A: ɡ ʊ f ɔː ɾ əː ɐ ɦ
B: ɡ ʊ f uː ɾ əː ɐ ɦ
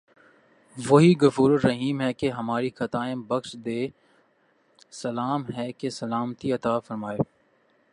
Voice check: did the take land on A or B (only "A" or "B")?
B